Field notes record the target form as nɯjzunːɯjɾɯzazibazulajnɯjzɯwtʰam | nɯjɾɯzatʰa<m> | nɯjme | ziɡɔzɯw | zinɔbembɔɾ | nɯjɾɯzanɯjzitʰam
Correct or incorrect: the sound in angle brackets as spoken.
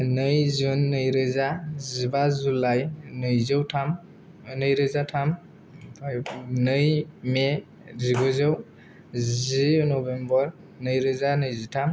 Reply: correct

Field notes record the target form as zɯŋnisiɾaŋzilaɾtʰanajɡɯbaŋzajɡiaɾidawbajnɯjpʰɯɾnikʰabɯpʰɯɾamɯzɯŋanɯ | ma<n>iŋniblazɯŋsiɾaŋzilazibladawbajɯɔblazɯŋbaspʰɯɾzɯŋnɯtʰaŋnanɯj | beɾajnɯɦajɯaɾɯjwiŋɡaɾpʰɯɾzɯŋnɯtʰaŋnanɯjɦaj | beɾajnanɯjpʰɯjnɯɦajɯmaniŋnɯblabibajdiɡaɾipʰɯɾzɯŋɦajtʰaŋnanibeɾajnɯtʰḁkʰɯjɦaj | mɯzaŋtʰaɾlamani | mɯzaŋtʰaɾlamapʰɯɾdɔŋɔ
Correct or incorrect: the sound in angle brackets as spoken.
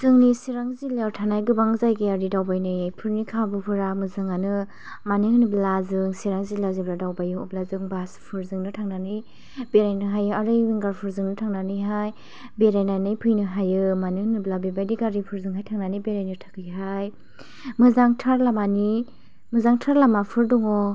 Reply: correct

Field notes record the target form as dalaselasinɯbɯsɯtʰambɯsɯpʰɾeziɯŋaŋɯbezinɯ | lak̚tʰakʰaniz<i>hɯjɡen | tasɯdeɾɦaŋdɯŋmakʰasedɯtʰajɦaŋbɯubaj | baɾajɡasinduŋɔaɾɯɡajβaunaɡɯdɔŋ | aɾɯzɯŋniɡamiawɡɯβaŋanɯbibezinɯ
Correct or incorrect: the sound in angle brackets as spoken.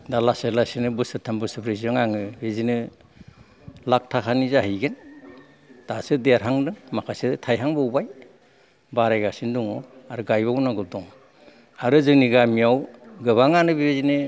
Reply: incorrect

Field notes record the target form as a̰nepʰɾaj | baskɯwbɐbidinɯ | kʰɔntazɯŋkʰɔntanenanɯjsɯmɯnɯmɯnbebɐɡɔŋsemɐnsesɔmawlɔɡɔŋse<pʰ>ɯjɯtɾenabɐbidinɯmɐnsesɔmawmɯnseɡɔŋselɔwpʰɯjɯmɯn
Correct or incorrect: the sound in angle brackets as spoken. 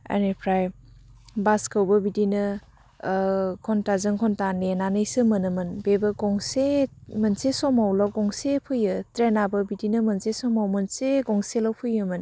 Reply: correct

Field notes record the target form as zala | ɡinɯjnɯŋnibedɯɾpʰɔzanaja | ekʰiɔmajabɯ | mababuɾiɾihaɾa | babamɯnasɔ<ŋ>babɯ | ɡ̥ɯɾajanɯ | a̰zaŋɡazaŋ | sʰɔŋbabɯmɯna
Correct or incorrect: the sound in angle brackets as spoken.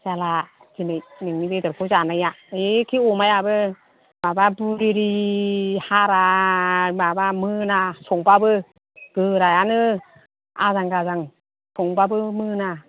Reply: correct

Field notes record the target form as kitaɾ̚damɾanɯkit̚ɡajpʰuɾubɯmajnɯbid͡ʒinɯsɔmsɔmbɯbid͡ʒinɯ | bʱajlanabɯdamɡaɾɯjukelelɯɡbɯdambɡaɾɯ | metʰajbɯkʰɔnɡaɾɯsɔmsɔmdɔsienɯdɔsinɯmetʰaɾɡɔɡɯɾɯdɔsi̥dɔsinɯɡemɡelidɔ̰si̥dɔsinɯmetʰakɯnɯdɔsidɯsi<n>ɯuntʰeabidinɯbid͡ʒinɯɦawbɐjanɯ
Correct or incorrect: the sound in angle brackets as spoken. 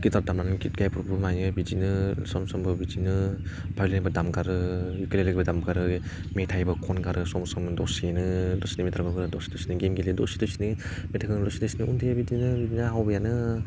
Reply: correct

